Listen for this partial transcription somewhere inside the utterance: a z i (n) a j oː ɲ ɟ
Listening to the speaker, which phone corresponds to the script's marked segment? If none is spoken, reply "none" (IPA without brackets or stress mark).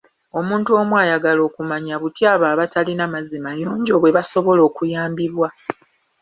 m